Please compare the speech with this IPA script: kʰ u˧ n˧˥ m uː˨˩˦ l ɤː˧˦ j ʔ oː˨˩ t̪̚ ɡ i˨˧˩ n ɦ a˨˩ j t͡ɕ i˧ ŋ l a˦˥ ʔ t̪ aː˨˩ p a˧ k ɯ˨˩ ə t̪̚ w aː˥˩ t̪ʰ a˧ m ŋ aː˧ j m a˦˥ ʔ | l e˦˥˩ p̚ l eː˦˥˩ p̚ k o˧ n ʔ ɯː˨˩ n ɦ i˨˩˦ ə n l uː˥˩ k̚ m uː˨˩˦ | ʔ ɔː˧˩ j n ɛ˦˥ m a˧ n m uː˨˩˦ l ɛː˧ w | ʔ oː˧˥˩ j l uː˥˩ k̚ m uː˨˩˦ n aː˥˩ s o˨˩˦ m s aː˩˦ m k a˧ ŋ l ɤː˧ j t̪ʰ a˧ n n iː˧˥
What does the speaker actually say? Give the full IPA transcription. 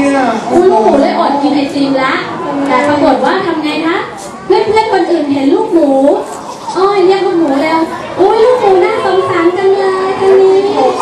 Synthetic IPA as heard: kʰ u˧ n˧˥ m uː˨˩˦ l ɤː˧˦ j ʔ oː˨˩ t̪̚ k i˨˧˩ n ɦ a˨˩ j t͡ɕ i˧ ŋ l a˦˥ ʔ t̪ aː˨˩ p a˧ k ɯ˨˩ ə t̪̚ w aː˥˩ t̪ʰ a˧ m ŋ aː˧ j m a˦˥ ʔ | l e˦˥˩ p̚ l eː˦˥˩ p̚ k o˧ n ʔ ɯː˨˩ n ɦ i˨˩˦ ə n l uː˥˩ k̚ m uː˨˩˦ | ʔ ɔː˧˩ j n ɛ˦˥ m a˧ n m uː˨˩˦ l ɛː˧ w | ʔ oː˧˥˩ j l uː˥˩ k̚ m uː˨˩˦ n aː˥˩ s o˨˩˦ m s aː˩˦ m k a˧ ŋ l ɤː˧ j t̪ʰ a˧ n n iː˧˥

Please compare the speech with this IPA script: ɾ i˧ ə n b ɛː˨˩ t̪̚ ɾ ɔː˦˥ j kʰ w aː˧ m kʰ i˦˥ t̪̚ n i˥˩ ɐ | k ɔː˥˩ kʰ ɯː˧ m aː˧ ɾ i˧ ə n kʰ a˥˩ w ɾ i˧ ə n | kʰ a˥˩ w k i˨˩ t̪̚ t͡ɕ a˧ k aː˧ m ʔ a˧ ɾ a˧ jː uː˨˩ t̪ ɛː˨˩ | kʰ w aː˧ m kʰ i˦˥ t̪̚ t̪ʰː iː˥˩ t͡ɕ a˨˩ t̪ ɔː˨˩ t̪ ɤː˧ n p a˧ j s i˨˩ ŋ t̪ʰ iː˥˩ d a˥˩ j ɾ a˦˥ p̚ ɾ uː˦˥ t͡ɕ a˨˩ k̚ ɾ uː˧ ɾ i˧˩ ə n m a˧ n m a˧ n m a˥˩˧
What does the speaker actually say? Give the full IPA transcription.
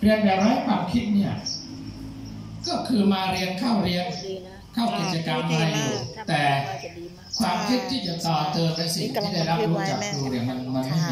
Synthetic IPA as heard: ɾ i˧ ə n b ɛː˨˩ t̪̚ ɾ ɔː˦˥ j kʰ w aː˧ m kʰ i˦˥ t̪̚ n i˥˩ ɐ | k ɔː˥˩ kʰ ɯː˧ m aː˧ ɾ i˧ ə n kʰ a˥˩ w ɾ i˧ ə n | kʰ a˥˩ w k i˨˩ t̪̚ t͡ɕ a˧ k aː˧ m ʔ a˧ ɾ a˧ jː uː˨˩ t̪ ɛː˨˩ | kʰ w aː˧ m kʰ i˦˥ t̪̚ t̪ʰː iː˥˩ t͡ɕ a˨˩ t̪ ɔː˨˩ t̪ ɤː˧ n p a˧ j s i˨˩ ŋ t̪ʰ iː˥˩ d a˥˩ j ɾ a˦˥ p̚ ɾ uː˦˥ t͡ɕ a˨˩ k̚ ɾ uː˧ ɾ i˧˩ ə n m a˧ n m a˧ n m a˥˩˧

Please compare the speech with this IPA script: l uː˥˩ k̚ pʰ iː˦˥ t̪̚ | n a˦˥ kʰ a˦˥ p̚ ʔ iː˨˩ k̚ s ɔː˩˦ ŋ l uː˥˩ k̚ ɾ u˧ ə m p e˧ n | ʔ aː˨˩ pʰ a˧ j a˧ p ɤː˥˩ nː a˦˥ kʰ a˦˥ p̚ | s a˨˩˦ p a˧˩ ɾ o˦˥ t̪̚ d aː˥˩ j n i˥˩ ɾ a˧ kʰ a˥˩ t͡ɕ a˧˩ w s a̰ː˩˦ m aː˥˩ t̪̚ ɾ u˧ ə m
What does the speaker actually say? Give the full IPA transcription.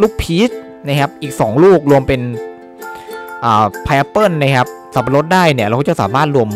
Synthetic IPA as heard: l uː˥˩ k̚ pʰ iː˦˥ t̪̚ | n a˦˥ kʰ a˦˥ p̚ ʔ iː˨˩ k̚ s ɔː˩˦ ŋ l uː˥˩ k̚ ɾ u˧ ə m p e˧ n | ʔ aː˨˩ pʰ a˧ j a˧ p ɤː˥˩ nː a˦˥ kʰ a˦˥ p̚ | s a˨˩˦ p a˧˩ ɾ o˦˥ t̪̚ d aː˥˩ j n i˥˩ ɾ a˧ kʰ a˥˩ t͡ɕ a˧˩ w s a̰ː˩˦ m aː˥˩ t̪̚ ɾ u˧ ə m

